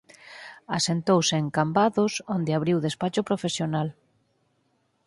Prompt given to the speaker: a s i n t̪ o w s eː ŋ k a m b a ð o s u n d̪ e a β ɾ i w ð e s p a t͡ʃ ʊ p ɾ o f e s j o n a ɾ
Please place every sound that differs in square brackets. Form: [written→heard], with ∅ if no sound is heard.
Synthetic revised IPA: a s [i→e] n t̪ o w s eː ŋ k a m b a ð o s [u→o] n d̪ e a β ɾ i w ð e s p a t͡ʃ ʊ p ɾ o f e s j o n a [ɾ→l]